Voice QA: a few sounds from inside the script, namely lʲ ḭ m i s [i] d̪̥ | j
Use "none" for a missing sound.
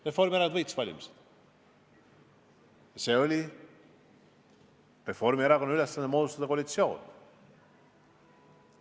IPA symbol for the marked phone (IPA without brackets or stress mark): e